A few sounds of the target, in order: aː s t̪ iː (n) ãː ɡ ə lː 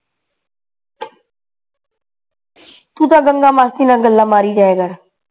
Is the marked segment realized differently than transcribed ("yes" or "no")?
no